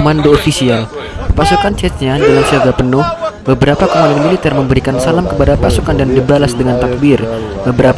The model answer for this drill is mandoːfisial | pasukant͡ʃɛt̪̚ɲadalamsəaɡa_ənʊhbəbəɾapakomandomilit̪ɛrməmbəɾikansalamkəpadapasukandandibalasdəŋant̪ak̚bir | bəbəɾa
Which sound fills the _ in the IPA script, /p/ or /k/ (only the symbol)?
p